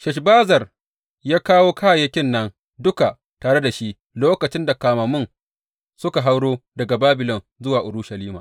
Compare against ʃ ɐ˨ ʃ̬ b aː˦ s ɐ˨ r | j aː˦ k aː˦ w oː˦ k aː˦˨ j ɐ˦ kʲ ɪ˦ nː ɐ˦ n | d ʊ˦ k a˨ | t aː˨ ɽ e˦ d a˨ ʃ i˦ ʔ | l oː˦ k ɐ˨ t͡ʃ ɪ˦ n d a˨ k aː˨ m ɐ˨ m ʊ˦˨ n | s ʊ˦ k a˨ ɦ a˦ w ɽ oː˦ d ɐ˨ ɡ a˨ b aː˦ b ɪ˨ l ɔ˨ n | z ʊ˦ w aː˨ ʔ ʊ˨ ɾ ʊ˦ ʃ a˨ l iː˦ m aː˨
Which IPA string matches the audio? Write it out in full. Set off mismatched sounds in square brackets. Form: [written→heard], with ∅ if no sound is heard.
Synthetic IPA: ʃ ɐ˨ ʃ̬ b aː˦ [s→z] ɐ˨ r | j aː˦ k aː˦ w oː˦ k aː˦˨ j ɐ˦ kʲ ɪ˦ nː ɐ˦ n | d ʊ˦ k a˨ | t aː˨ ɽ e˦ d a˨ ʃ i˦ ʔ | l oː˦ k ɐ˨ t͡ʃ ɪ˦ n d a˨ k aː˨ m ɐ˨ m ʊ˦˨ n | s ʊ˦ k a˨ ɦ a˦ w ɽ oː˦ d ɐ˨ ɡ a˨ b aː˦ b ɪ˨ l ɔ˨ n | z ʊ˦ w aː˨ ʔ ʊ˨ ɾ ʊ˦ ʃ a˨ l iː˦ m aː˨